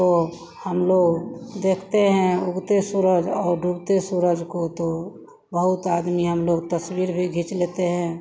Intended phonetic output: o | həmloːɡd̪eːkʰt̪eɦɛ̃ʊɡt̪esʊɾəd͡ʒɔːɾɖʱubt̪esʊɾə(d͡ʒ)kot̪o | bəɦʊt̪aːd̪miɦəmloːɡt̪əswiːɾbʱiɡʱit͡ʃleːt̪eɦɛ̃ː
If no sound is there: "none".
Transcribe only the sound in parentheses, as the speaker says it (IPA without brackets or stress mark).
d͡ʒ